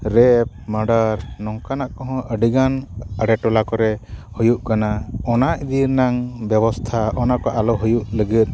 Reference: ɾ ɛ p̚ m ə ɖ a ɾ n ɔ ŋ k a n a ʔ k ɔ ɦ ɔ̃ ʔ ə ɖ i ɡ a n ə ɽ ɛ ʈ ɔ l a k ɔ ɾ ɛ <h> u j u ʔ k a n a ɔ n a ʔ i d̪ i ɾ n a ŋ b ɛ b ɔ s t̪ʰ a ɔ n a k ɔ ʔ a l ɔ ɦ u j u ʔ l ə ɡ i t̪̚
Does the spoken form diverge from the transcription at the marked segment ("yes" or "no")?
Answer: no